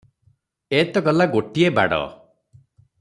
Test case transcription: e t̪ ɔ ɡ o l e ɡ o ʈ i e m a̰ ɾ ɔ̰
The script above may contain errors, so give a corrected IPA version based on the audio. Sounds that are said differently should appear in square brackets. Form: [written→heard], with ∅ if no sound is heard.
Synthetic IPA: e t̪ ɔ ɡ [o→ɔ] l [e→a] ɡ o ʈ i e [m→b] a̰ [ɾ→ɽ] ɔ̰